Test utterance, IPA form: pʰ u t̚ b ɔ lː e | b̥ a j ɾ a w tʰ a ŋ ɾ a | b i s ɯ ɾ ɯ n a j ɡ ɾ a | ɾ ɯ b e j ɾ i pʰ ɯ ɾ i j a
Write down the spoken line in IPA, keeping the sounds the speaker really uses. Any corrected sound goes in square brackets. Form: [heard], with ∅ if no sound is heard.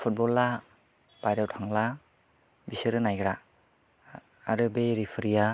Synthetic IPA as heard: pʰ u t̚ b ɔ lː [a] | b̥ a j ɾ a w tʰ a ŋ [l] a | b i s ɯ ɾ ɯ n a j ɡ ɾ a | ɾ ɯ b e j ɾ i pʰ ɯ ɾ i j a